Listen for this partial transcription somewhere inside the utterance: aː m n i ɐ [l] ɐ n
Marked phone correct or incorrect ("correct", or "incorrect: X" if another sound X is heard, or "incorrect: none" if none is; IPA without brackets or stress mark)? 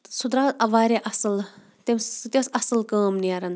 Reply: incorrect: ɾ